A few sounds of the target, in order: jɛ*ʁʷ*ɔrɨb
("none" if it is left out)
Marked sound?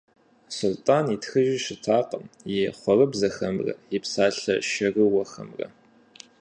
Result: χʷ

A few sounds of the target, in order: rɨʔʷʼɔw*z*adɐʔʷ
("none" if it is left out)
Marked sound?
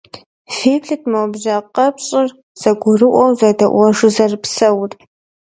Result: z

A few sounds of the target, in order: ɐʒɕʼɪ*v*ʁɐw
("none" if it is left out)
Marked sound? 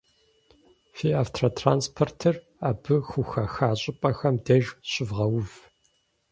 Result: v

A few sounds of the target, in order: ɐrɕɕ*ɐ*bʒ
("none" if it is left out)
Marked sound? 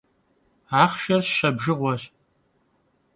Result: ɐ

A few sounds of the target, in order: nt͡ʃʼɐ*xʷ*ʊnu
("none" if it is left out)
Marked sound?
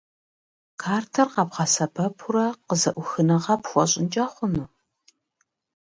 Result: χʷ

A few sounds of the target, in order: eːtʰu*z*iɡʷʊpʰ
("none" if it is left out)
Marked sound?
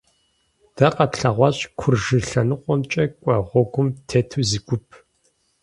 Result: z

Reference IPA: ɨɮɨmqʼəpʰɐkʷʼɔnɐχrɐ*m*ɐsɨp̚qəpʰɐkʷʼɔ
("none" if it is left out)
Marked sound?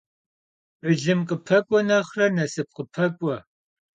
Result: n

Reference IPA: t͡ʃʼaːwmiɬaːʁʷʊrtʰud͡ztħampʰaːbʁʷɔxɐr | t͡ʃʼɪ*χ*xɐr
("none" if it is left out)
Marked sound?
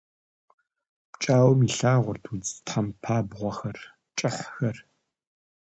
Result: ħ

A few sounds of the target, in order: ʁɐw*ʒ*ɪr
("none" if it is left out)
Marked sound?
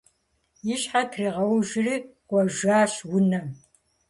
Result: ʒ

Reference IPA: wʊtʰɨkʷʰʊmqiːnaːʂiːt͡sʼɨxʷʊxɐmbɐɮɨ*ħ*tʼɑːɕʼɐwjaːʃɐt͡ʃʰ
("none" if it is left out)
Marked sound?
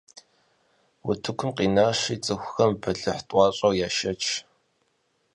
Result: ħ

